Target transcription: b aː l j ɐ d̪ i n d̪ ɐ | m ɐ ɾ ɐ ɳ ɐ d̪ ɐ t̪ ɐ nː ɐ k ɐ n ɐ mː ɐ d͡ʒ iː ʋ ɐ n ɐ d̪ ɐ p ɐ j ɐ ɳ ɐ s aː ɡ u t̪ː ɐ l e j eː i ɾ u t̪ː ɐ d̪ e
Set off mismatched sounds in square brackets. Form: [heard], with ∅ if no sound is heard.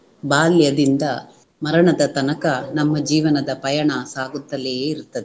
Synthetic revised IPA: b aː l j ɐ d̪ i n d̪ ɐ | m ɐ ɾ ɐ ɳ ɐ d̪ ɐ t̪ ɐ [n] ɐ k ɐ n ɐ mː ɐ d͡ʒ iː ʋ ɐ n ɐ d̪ ɐ p ɐ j ɐ ɳ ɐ s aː ɡ u t̪ː ɐ l e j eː i ɾ u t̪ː ɐ d̪ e